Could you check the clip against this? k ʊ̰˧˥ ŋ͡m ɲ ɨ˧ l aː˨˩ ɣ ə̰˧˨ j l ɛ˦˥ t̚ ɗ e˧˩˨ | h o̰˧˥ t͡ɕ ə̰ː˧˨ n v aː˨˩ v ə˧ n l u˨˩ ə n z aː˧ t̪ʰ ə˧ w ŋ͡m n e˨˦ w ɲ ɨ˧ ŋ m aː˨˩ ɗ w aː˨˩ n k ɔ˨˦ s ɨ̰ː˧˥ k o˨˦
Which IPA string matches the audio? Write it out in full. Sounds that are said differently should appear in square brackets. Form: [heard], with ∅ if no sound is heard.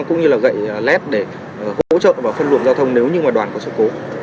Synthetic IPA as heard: k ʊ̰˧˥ ŋ͡m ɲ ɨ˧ l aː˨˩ ɣ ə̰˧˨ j l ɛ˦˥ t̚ ɗ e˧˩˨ | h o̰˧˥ t͡ɕ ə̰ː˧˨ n v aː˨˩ [f] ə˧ n l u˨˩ ə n z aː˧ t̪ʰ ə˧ w ŋ͡m n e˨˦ w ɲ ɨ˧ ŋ m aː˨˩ ɗ w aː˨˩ n k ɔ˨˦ s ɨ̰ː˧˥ k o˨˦